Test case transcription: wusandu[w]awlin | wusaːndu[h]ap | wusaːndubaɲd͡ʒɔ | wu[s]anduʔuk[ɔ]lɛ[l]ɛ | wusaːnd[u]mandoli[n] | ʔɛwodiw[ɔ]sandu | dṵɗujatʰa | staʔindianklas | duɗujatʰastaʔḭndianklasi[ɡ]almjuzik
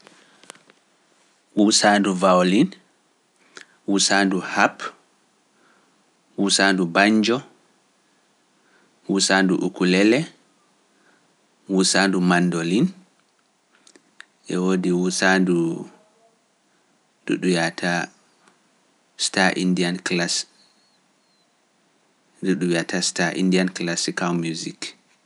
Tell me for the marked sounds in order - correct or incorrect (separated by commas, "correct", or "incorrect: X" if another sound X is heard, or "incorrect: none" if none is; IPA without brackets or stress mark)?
incorrect: v, correct, correct, incorrect: u, correct, correct, correct, incorrect: u, incorrect: k